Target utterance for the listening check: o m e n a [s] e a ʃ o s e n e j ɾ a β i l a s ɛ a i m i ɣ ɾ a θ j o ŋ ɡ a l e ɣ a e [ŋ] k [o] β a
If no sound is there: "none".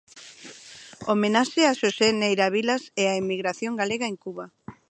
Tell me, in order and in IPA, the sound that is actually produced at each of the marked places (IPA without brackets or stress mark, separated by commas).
ʃ, ŋ, u